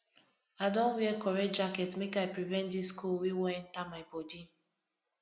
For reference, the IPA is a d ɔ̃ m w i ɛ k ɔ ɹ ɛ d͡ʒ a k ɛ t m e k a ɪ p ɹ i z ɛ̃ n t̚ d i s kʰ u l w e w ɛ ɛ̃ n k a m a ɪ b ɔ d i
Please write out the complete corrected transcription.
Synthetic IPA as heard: a d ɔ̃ n w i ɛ k ɔ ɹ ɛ d͡ʒ a k ɛ t m e k a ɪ p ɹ i v ɛ̃ n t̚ d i s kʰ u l w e w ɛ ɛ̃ n t a m a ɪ b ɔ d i